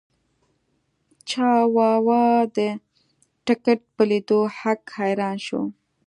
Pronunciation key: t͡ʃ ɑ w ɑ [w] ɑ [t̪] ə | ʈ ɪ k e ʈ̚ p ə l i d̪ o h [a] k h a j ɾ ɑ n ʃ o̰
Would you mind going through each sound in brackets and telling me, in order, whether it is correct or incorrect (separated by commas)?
correct, incorrect, correct